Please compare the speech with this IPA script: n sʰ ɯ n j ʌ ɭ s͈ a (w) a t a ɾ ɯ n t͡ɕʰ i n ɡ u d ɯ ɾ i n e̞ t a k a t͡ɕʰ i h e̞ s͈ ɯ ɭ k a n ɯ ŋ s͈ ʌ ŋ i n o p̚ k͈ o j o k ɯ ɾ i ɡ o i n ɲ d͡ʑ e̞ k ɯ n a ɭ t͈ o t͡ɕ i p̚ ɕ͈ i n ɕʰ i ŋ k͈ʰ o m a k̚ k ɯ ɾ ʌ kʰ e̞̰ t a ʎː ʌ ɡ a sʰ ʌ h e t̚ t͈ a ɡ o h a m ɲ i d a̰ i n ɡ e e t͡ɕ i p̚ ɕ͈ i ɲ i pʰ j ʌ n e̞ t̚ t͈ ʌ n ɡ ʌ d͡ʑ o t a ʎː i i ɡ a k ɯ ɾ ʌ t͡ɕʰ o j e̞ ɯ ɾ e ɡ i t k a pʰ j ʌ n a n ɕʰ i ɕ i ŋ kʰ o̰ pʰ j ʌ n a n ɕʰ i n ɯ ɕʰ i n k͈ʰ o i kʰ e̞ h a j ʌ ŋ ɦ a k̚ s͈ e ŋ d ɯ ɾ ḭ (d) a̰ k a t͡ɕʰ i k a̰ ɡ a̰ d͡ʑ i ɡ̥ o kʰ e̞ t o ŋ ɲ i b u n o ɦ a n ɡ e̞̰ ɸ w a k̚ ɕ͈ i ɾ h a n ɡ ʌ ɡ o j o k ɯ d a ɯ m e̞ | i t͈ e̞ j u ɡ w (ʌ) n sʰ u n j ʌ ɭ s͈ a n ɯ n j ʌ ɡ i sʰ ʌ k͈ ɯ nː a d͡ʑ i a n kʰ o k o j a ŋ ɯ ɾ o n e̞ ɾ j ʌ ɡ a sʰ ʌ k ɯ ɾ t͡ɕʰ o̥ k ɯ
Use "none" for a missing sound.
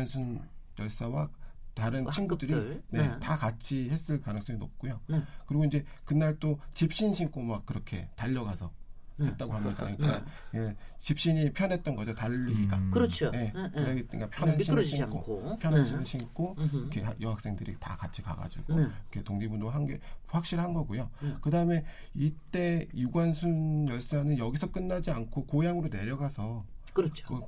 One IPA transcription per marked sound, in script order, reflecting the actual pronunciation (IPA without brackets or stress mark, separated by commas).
w, t, a